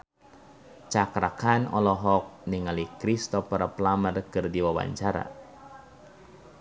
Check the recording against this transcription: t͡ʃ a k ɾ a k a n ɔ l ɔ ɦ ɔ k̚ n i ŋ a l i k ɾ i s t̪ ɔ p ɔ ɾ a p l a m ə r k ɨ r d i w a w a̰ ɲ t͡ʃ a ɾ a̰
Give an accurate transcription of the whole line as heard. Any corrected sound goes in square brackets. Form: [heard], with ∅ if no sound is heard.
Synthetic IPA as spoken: t͡ʃ a k ɾ a k a n ɔ l ɔ ɦ ɔ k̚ n i ŋ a l i k ɾ i s t̪ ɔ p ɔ ɾ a p l a m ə r k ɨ r d i w a w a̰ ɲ t͡ʃ a ɾ a̰